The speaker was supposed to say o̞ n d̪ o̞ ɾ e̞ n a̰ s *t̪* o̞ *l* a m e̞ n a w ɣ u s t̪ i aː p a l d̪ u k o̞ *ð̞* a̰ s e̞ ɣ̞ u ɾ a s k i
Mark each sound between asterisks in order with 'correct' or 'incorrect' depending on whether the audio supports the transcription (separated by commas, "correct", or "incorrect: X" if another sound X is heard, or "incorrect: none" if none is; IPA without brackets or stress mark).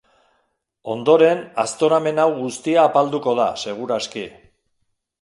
correct, incorrect: ɾ, correct